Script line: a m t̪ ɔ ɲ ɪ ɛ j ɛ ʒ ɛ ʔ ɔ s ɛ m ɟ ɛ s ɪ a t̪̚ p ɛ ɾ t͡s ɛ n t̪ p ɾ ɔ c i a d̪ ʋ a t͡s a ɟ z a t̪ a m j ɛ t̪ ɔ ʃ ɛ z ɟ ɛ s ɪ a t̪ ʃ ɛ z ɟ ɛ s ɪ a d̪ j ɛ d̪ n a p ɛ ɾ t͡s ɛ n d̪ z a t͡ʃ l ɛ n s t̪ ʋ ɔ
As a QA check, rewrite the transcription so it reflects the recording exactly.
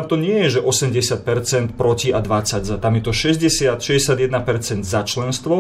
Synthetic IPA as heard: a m t̪ ɔ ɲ ɪ ɛ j ɛ ʒ ɛ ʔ ɔ s ɛ m ɟ ɛ s ɪ a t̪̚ p ɛ ɾ t͡s ɛ n t̪ p ɾ ɔ c i a d̪ ʋ a t͡s a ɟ z a t̪ a m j ɛ t̪ ɔ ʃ ɛ z ɟ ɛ s ɪ a t̪ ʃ ɛ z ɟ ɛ s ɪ a d̪ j ɛ d̪ n a p ɛ ɾ t͡s ɛ n d̪ z a t͡ʃ l ɛ n s t̪ ʋ ɔ